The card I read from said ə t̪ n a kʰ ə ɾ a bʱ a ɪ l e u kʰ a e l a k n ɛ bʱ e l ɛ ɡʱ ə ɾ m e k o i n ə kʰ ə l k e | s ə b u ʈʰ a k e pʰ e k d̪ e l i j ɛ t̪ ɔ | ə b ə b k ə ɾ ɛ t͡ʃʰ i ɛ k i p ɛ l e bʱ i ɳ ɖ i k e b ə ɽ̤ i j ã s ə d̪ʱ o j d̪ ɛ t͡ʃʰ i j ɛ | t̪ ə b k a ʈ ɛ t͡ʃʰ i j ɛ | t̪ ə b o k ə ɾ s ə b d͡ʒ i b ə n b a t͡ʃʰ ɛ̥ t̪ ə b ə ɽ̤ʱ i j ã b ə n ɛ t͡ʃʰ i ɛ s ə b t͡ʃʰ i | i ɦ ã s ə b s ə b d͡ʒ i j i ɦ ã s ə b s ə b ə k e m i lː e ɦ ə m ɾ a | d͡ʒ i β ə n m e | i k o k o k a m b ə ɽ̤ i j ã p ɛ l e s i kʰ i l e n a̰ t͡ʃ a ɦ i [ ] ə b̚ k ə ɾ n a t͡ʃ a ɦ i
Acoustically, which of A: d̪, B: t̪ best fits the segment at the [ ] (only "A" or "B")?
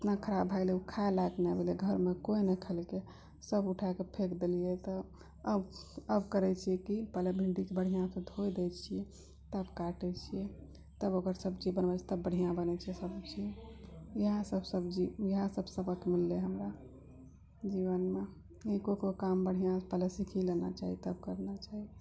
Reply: B